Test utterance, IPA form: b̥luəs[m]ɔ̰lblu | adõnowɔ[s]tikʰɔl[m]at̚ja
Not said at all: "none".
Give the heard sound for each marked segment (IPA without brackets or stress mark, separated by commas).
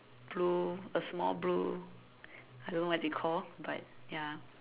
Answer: m, none, b